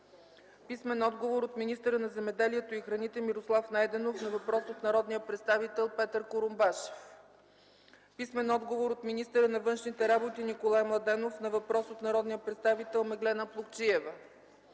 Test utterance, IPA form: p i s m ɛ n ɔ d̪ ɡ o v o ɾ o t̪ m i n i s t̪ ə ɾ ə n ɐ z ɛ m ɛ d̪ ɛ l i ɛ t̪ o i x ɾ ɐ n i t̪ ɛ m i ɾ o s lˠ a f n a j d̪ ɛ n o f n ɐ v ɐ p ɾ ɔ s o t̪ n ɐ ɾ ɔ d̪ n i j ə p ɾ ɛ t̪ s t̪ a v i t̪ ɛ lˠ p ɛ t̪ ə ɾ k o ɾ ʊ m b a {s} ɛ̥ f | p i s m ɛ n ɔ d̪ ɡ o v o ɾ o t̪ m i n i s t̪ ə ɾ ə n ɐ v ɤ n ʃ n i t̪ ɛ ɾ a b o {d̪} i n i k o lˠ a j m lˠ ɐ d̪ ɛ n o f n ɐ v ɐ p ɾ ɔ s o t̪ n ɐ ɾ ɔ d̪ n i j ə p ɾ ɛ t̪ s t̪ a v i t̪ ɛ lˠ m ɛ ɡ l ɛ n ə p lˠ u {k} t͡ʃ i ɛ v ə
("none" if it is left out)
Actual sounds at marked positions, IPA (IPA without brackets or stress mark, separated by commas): ʃ, t̪, k